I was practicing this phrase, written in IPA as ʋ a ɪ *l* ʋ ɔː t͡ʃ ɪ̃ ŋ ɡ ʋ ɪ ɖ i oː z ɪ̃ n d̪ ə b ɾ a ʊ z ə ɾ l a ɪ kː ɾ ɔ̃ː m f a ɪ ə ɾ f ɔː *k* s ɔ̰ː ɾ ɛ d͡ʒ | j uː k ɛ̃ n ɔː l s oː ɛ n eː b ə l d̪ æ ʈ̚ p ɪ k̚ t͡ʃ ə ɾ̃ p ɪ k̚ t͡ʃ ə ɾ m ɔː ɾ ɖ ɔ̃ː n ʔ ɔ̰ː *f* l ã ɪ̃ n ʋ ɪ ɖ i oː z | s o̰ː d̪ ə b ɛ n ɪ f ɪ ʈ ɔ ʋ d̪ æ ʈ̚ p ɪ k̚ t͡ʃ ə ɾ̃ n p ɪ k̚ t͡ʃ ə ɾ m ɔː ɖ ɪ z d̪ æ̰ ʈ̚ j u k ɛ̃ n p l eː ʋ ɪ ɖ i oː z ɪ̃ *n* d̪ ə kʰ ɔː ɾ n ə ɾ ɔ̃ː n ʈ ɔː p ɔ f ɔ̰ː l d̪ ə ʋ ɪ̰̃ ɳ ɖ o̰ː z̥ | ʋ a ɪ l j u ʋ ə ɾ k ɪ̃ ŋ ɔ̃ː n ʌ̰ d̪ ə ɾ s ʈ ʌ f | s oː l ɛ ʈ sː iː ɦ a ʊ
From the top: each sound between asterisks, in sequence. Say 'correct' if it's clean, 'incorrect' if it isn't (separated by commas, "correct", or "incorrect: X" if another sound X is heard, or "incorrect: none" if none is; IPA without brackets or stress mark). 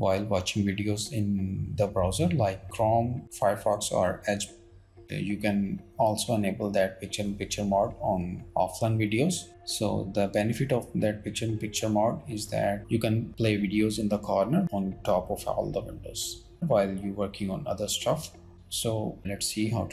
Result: correct, correct, correct, correct